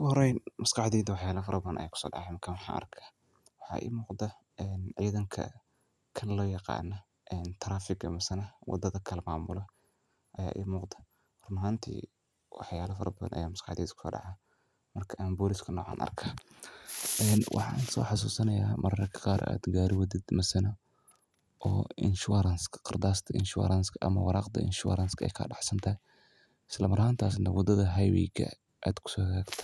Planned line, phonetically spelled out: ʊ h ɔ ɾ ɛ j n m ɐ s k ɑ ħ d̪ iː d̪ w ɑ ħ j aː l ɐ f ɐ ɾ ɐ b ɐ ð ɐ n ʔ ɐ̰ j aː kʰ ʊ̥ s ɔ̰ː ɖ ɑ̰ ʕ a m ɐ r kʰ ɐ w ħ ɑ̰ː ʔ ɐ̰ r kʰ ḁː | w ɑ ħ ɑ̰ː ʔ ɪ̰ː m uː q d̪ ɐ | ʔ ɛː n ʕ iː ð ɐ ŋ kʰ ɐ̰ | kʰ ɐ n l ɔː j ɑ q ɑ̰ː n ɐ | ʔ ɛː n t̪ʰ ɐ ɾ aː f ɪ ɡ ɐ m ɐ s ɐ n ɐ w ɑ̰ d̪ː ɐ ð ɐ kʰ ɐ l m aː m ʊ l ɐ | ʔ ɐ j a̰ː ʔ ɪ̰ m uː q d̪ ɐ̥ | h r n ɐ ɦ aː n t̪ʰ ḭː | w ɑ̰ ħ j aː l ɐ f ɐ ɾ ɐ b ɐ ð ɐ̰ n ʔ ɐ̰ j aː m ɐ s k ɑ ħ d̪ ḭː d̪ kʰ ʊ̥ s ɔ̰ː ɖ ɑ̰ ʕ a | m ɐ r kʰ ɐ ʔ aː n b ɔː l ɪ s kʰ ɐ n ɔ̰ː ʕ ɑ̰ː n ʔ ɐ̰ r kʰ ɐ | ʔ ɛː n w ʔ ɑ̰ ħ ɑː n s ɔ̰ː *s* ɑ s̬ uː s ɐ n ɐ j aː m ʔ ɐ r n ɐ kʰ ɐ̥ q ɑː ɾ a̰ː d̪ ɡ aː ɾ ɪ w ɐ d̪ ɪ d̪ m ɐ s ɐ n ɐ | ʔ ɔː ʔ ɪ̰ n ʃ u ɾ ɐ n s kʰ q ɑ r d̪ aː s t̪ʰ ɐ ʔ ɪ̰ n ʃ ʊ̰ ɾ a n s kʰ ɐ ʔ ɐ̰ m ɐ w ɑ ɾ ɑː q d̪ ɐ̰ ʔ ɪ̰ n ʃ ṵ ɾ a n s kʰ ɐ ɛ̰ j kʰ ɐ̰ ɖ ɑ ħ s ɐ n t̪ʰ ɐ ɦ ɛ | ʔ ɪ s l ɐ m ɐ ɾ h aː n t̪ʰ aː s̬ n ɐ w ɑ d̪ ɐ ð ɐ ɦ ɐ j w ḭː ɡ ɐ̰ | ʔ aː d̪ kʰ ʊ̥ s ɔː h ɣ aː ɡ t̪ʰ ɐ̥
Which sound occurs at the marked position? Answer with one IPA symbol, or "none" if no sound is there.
ħ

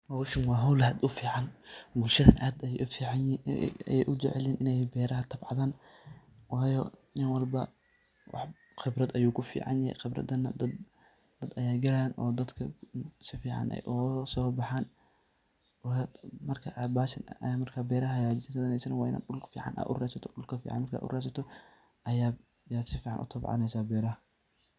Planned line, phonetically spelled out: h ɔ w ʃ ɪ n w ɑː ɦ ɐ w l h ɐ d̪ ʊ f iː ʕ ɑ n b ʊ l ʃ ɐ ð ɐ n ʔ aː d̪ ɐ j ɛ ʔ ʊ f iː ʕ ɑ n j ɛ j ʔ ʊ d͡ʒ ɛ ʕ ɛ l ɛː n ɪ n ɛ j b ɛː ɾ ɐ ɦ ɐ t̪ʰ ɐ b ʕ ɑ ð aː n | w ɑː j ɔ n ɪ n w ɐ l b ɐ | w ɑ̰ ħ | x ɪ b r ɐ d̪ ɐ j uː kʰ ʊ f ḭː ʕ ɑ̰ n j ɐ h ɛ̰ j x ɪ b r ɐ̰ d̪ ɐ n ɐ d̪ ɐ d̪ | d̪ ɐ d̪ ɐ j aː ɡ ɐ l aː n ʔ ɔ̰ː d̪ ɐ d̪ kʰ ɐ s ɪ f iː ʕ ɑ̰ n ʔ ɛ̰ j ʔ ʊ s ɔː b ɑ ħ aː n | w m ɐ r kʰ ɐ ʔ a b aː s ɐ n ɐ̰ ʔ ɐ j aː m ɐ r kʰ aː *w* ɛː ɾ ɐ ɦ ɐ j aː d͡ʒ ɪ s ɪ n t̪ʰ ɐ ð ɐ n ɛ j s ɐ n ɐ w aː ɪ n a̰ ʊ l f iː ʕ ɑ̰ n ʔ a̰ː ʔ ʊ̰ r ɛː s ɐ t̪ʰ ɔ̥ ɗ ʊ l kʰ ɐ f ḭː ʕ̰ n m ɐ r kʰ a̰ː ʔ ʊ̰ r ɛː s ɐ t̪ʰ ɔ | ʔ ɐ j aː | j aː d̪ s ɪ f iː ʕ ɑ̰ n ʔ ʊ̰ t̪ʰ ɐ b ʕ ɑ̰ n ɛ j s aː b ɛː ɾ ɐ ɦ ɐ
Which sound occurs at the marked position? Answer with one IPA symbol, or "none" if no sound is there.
b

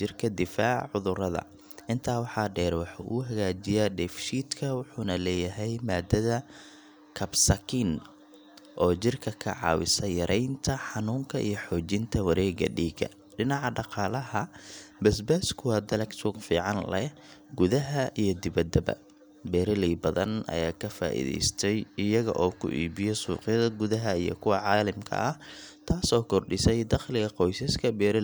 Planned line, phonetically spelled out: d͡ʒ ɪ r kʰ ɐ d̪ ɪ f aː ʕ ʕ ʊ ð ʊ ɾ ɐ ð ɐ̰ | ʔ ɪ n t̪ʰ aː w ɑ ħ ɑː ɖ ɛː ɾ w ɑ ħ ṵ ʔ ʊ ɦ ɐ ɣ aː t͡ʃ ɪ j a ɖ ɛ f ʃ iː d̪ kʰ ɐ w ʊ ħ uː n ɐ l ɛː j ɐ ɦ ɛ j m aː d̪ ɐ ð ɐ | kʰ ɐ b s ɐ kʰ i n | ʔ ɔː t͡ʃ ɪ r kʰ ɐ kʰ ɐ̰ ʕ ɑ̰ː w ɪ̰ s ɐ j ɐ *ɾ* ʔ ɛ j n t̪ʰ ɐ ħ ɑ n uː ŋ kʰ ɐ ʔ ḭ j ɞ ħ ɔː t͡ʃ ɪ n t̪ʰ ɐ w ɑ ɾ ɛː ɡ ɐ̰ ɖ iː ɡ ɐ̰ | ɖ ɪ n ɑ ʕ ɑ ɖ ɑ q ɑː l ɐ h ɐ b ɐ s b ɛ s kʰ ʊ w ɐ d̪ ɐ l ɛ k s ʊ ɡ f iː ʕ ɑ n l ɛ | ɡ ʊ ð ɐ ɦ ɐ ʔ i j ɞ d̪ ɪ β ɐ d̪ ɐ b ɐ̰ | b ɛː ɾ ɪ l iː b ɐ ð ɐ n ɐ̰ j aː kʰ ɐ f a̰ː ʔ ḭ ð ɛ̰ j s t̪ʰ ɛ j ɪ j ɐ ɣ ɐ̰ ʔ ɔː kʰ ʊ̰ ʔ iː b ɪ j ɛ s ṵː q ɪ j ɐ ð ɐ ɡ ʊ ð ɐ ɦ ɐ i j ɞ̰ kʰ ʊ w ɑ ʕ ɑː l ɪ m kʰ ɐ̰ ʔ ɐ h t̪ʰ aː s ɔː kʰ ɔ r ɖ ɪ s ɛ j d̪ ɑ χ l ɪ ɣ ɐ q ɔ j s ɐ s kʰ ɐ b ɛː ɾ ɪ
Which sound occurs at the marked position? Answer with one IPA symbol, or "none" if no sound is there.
ɾ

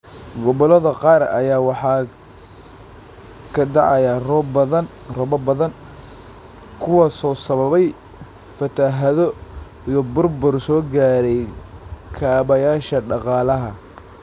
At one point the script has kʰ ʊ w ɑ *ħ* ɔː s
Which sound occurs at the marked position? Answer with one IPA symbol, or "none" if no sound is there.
s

